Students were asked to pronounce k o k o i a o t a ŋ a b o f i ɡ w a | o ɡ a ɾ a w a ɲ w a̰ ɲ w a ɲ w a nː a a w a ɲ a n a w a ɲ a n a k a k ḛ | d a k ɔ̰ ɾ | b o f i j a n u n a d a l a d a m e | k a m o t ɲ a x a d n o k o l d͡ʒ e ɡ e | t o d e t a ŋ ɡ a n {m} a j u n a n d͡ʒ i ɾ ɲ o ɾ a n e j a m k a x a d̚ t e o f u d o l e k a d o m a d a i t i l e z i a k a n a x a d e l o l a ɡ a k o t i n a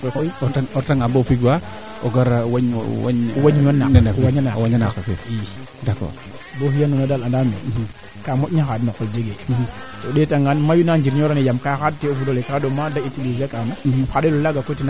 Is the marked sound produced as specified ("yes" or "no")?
yes